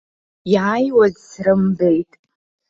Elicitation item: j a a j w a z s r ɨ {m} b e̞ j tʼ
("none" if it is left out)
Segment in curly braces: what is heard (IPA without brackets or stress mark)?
m